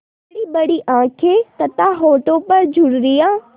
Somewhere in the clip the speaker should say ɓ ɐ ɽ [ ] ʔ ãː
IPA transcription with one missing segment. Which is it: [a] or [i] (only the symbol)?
i